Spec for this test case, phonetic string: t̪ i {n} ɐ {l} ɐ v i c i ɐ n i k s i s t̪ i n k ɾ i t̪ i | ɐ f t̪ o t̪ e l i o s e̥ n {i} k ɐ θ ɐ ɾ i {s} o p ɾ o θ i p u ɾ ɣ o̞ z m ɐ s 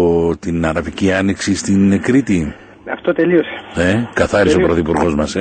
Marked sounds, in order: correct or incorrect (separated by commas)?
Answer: correct, incorrect, incorrect, correct